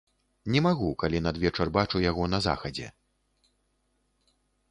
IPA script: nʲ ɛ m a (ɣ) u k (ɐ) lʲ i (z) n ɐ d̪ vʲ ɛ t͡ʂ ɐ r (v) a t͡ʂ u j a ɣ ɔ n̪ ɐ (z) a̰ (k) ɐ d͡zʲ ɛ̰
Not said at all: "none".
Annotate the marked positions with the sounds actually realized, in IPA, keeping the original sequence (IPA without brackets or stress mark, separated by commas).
ɣ, a, none, b, z, x